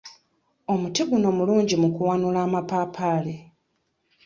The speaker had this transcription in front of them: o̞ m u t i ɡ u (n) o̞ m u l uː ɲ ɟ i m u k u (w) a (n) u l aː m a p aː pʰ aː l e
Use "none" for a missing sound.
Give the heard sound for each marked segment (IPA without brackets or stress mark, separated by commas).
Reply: n, w, n